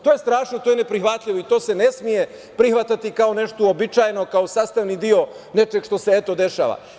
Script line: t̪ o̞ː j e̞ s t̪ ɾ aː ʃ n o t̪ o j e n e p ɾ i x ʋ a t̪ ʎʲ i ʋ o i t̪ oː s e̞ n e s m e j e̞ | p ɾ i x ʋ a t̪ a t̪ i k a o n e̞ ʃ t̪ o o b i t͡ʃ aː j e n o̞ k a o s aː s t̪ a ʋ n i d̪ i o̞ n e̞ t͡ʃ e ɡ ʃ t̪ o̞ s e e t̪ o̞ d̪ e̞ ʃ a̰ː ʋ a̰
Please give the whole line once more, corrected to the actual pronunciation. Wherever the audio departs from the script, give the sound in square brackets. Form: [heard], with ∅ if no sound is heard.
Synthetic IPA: t̪ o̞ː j e̞ s t̪ ɾ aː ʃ n o t̪ o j e n e p ɾ i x ʋ a t̪ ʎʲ i ʋ o i t̪ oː s e̞ n e s m [i] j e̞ | p ɾ i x ʋ a t̪ a t̪ i k a o n e̞ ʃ t̪ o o b i t͡ʃ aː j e n o̞ k a o s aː s t̪ a ʋ n i d̪ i o̞ n e̞ t͡ʃ e ɡ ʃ t̪ o̞ s e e t̪ o̞ d̪ e̞ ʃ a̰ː ʋ a̰

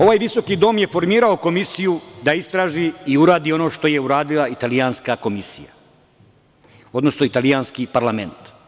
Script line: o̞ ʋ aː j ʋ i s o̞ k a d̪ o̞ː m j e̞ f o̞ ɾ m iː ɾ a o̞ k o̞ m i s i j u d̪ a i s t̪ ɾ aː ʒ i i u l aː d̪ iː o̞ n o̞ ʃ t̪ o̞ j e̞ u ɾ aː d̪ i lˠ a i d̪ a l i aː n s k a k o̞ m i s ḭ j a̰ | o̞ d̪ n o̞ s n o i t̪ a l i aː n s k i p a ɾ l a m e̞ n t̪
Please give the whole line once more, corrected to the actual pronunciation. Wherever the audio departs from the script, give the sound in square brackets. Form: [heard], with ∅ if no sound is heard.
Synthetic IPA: o̞ ʋ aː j ʋ i s o̞ k [i] d̪ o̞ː m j e̞ f o̞ ɾ m iː ɾ a o̞ k o̞ m i s i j u d̪ a i s t̪ ɾ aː ʒ i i u [ɾ] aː d̪ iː o̞ n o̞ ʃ t̪ o̞ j e̞ u ɾ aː d̪ i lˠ a i [t̪] a l i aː n s k a k o̞ m i s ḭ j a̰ | o̞ d̪ n o̞ s n o i t̪ a l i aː n s k i p a ɾ l a m e̞ n t̪

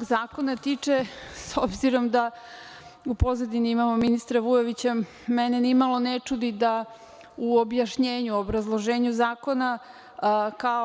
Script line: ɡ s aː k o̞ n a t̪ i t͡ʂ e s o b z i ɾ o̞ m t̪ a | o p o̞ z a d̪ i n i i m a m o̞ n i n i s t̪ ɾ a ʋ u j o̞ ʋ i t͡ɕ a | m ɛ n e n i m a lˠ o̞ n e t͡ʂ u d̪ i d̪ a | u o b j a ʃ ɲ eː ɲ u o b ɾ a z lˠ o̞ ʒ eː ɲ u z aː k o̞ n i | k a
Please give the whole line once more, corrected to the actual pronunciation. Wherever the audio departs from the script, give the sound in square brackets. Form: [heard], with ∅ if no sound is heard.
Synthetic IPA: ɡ [z] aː k o̞ n a t̪ i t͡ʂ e s o b z i ɾ o̞ m [d̪] a | [u] p o̞ z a d̪ i n i i m a m o̞ [m] i n i s t̪ ɾ a ʋ u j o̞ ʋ i t͡ɕ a | m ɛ n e n i m a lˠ o̞ n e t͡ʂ u d̪ i d̪ a | u o b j a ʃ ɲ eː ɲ u o b ɾ a z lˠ o̞ ʒ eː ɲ u z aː k o̞ n [a] | k a

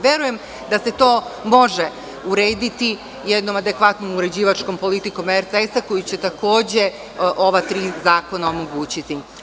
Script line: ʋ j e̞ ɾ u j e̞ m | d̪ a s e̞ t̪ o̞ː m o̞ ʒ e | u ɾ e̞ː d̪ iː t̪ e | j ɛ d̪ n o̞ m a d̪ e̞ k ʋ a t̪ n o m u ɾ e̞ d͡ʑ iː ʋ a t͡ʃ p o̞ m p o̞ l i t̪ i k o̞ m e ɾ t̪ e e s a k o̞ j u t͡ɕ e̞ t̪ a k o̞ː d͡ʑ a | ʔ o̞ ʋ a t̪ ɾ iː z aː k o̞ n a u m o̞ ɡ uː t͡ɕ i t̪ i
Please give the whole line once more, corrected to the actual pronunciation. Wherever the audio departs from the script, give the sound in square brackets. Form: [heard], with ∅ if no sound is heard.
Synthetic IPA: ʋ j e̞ ɾ u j e̞ m | d̪ a s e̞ t̪ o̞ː m o̞ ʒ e | u ɾ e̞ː d̪ [i] t̪ [i] | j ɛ d̪ n o̞ m a d̪ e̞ k ʋ a t̪ n o m u ɾ e̞ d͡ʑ iː ʋ a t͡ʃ [k] o̞ m p o̞ l i t̪ i k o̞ m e ɾ t̪ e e s a k o̞ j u t͡ɕ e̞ t̪ a k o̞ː d͡ʑ [e] | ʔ o̞ ʋ a t̪ ɾ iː z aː k o̞ n a [o] m o̞ ɡ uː t͡ɕ i t̪ i

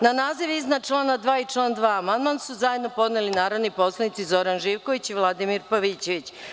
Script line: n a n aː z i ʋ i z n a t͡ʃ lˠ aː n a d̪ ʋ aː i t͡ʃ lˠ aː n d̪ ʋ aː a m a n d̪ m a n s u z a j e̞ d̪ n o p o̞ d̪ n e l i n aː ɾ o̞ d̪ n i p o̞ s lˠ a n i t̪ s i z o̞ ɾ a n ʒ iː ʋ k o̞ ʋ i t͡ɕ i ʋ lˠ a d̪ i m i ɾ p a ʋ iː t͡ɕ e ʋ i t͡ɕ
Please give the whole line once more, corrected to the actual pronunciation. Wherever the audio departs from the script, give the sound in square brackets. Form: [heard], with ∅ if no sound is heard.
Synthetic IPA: n a n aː z i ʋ i z n a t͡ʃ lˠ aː n a d̪ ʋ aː i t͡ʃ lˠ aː n d̪ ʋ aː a m a n d̪ m a n s u z a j e̞ d̪ n o p o̞ d̪ n e l i n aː ɾ o̞ d̪ n i p o̞ s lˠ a n i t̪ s i z o̞ ɾ a n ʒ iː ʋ k o̞ ʋ i t͡ɕ i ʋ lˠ a d̪ i m i ɾ p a ʋ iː t͡ɕ e ʋ i t͡ɕ

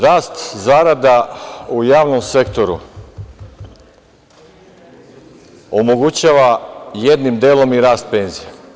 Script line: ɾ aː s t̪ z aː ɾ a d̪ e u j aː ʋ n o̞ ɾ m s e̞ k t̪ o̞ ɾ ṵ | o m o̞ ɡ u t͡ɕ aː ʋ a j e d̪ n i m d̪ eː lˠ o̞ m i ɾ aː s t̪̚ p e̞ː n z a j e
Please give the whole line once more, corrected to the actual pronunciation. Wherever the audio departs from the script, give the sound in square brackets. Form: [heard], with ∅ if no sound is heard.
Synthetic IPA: ɾ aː s t̪ z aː ɾ a d̪ [a] u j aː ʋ n o̞ [∅] m s e̞ k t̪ o̞ ɾ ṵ | o m o̞ ɡ u t͡ɕ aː ʋ a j e d̪ n i m d̪ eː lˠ o̞ m i ɾ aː s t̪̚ p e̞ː n z [i] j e

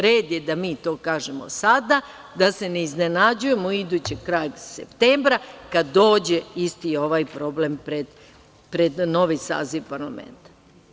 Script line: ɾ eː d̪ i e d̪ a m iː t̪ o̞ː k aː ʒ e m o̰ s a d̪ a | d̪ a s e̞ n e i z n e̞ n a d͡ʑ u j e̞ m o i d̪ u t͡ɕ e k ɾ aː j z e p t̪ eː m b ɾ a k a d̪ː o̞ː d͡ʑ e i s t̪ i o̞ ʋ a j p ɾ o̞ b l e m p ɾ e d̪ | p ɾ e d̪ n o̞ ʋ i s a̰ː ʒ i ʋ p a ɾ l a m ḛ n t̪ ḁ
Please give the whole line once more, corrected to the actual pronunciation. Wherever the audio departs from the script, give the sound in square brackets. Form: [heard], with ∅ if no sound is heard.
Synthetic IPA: ɾ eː d̪ [j] e d̪ a m iː t̪ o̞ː k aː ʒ e m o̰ s a d̪ a | d̪ a s e̞ n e i z n e̞ n a d͡ʑ u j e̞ m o i d̪ u t͡ɕ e k ɾ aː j [s] e p t̪ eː m b ɾ a k a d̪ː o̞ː d͡ʑ e i s t̪ i o̞ ʋ a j p ɾ o̞ b l e m p ɾ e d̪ | p ɾ e d̪ n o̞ ʋ i s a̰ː [z] i ʋ p a ɾ l a m ḛ n t̪ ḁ

